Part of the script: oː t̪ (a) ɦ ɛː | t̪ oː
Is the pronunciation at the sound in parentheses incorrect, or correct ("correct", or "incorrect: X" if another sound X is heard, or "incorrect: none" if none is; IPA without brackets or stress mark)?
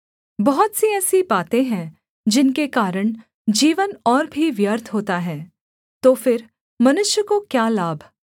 correct